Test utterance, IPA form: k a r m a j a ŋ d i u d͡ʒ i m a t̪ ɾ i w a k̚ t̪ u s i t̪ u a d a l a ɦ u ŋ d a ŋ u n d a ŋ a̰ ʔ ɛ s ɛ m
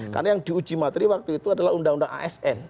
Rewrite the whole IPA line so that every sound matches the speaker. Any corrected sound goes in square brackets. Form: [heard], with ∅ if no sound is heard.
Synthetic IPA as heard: k a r [n] a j a ŋ d i u d͡ʒ i m a t̪ ɾ i w a k̚ t̪ u [∅] i t̪ u a d a l a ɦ u [n] d a ŋ u n d a ŋ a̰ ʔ ɛ s ɛ [n]